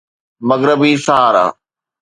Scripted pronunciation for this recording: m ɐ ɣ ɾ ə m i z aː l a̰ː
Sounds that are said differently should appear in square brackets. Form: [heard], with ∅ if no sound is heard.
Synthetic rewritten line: m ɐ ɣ ɾ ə [b] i [s] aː [ɾ] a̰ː